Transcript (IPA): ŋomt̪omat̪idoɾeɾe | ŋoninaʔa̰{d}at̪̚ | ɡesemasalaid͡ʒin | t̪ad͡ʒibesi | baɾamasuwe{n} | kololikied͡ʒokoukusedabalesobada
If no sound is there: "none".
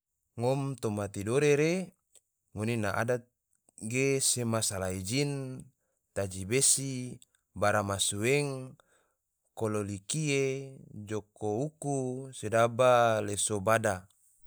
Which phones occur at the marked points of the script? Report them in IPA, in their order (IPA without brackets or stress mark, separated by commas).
d, ŋ